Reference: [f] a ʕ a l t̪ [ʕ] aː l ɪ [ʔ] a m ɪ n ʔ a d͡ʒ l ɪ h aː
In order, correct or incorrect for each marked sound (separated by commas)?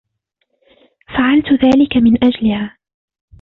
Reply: correct, incorrect, incorrect